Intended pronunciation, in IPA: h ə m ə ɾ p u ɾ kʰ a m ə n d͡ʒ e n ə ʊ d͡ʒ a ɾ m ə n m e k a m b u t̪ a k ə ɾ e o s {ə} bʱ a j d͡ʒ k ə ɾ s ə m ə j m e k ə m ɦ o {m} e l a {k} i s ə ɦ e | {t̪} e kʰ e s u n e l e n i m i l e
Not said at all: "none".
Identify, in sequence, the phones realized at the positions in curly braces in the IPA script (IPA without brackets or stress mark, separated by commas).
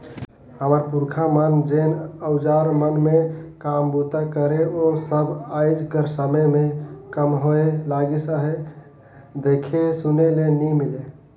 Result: ə, none, ɡ, d̪